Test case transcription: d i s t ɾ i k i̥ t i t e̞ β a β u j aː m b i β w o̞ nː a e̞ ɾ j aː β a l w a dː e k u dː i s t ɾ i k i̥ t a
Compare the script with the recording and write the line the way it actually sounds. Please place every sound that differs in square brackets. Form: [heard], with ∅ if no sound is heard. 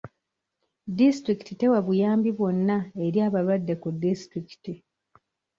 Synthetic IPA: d i s t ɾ i k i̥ t i t e̞ [w] a β u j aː m b i β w o̞ nː a e̞ ɾ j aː β a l w a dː e k u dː i s t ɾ i k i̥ t [i]